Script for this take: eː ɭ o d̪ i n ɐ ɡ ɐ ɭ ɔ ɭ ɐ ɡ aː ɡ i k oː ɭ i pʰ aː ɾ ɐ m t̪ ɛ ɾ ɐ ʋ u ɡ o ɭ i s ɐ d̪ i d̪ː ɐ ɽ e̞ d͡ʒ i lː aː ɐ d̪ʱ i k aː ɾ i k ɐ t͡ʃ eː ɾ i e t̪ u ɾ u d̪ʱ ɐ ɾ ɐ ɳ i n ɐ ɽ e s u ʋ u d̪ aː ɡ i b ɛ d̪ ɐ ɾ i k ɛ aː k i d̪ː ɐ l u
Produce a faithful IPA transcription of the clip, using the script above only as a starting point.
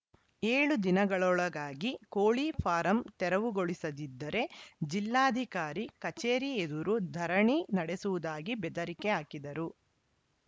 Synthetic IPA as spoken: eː ɭ u d̪ i n ɐ ɡ ɐ ɭ ɔ ɭ ɐ ɡ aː ɡ i k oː ɭ i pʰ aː ɾ ɐ m t̪ ɛ ɾ ɐ ʋ u ɡ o ɭ i s ɐ d̪ i d̪ː ɐ ɾ e̞ d͡ʒ i lː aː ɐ d̪ʱ i k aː ɾ i k ɐ t͡ʃ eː ɾ i e d̪ u ɾ u d̪ʱ ɐ ɾ ɐ ɳ i n ɐ ɽ e s u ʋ u d̪ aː ɡ i b ɛ d̪ ɐ ɾ i k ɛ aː k i d̪ ɐ ɾ u